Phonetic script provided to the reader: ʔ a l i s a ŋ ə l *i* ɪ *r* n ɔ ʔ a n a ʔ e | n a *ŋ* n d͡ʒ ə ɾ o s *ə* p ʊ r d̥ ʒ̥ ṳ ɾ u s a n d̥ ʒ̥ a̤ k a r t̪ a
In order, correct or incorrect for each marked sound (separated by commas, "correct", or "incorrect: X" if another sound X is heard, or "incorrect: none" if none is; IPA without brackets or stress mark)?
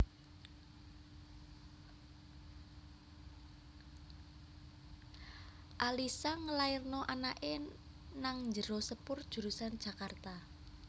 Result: incorrect: a, correct, correct, correct